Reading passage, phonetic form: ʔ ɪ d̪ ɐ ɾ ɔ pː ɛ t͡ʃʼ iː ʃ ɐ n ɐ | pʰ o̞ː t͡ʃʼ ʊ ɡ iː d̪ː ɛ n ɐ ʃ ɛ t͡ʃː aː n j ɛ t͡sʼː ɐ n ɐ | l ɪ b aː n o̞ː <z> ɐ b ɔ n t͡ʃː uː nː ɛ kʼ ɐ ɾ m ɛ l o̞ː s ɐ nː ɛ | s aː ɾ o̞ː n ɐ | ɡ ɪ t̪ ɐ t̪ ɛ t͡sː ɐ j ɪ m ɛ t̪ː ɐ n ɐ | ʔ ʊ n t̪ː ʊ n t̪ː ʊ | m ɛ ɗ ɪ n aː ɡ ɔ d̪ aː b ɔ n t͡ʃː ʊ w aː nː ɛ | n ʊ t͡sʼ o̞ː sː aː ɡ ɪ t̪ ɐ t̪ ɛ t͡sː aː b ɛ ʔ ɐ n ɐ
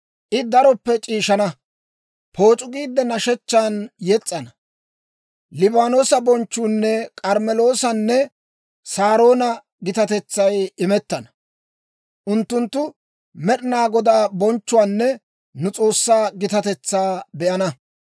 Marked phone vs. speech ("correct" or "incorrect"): incorrect